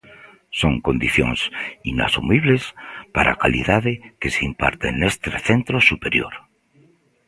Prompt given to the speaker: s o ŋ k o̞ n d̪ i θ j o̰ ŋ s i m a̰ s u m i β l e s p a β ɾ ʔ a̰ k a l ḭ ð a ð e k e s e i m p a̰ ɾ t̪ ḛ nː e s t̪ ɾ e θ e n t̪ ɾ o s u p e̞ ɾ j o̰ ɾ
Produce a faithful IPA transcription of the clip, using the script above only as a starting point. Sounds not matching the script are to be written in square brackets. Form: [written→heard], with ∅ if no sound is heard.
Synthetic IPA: s o ŋ k o̞ n d̪ i θ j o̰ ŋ s i [m→n] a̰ s u m i β l e s p a [β→∅] ɾ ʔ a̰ k a l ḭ ð a ð e k e s e i m p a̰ ɾ t̪ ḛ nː e s t̪ ɾ e θ e n t̪ ɾ o s u p e̞ ɾ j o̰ ɾ

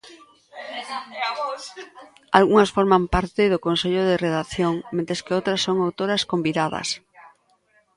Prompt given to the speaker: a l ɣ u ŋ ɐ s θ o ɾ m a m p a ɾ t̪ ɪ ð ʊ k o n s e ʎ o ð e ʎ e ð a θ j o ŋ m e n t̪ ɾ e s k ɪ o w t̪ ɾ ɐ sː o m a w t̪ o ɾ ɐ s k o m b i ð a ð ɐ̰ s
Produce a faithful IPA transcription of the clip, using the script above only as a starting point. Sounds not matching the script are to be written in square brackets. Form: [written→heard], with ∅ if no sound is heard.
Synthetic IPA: a l ɣ u ŋ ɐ s [θ→f] o ɾ m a m p a ɾ t̪ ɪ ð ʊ k o n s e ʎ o ð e [ʎ→r] e ð a θ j o ŋ m e n t̪ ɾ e s k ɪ o w t̪ ɾ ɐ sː o [m→ŋ] a w t̪ o ɾ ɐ s k o m b i ð a ð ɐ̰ s

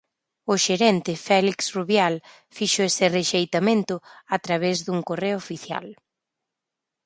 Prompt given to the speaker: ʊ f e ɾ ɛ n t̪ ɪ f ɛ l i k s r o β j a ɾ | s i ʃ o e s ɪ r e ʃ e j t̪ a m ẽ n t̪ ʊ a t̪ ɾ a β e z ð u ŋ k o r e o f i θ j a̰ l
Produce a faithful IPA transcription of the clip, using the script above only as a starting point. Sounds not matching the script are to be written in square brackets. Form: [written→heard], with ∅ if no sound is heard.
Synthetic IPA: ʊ [f→ʃ] e ɾ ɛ n t̪ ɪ f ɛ l i k s r [o→u] β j a [ɾ→l] | [s→f] i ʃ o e s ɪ r e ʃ e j t̪ a m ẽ n t̪ ʊ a t̪ ɾ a β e z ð u ŋ k o r e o f i θ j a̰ l

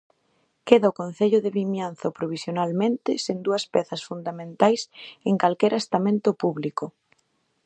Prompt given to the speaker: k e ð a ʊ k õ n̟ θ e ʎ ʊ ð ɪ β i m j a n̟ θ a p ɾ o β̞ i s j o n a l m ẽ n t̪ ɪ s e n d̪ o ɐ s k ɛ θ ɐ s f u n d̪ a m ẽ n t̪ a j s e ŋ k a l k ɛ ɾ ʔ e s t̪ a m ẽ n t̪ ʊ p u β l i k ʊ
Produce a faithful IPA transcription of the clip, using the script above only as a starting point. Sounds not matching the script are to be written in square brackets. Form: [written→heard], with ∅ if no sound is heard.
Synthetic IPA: k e ð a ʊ k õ n̟ θ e ʎ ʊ ð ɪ β i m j a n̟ θ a p ɾ o β̞ i s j o n a l m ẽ n t̪ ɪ s e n d̪ [o→u] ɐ s [k→p] ɛ θ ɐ s f u n d̪ a m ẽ n t̪ a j s e ŋ k a l k ɛ ɾ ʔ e s t̪ a m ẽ n t̪ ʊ p u β l i k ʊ

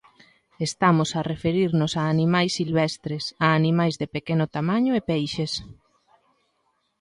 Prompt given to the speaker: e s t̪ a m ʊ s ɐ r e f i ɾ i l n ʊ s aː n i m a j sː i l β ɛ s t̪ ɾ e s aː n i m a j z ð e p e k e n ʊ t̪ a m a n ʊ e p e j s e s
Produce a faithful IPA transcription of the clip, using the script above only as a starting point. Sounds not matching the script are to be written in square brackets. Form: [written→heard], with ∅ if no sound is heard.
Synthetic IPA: e s t̪ a m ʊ s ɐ r e f [i→e] ɾ i [l→ɾ] n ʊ s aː n i m a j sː i l β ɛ s t̪ ɾ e s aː n i m a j z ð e p e k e n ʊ t̪ a m a [n→ɲ] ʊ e p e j [s→ʃ] e s

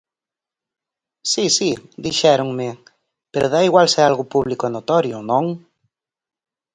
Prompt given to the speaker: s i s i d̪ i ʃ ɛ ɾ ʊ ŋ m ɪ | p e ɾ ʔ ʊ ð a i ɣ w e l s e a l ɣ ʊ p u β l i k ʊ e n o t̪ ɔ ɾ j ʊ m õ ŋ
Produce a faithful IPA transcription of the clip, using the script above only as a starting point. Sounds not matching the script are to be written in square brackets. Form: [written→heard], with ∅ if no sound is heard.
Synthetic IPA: s i s i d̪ i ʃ ɛ ɾ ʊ ŋ m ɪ | p e ɾ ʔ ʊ ð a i ɣ w [e→a] l s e a l ɣ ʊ p u β l i k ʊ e n o t̪ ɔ ɾ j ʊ [m→n] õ ŋ

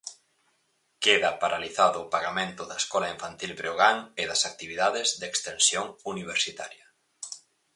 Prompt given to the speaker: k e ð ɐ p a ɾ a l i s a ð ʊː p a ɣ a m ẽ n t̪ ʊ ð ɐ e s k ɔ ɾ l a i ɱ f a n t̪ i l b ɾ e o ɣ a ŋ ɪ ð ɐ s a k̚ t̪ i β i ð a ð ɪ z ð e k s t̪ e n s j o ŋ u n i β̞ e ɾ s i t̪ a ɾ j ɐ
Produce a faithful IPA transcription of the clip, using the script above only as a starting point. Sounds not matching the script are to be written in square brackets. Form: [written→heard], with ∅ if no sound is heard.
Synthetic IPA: k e ð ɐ p a ɾ a l i [s→θ] a ð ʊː p a ɣ a m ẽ n t̪ ʊ ð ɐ e s k ɔ [ɾ→∅] l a i ɱ f a n t̪ i l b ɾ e o ɣ a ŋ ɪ ð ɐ s a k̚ t̪ i β i ð a ð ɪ z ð e k s t̪ e n s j o ŋ u n i β̞ e ɾ s i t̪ a ɾ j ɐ

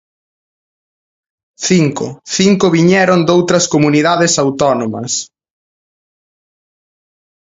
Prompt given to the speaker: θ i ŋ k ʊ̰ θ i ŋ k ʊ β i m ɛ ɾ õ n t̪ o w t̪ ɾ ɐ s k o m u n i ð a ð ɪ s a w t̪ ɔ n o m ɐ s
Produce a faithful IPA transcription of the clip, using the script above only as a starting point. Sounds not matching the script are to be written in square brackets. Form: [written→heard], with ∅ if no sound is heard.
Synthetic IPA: θ i ŋ k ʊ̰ θ i ŋ k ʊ β i [m→ɲ] ɛ ɾ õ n [t̪→d̪] o w t̪ ɾ ɐ s k o m u n i ð a ð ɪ s a w t̪ ɔ n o m ɐ s

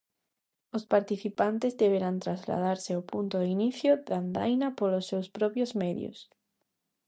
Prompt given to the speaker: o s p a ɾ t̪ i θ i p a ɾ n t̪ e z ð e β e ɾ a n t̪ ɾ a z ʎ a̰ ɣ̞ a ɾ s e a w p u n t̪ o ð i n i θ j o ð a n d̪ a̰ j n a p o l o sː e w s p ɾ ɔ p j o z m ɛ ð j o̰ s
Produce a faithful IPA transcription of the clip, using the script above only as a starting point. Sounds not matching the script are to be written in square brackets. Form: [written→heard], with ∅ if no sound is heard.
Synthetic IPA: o s p a ɾ t̪ i θ i p a [ɾ→∅] n t̪ e z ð e β e ɾ a n t̪ ɾ a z [ʎ→l] a̰ [ɣ̞→ð̞] a ɾ s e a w p u n t̪ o ð i n i θ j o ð a n d̪ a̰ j n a p o l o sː e w s p ɾ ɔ p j o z m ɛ ð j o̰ s

